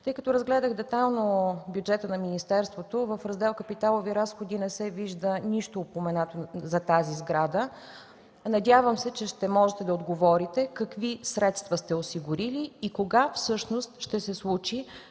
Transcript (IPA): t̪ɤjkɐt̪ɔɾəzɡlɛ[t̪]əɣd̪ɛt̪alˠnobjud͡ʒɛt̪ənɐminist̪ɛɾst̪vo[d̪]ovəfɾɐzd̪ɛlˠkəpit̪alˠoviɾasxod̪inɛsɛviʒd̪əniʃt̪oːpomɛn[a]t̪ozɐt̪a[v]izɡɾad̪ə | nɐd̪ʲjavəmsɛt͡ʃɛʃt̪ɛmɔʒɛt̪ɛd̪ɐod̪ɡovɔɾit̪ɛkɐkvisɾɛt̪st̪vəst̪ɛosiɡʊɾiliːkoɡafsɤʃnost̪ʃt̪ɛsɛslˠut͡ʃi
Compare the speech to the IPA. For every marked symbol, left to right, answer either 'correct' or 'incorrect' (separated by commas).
incorrect, incorrect, correct, incorrect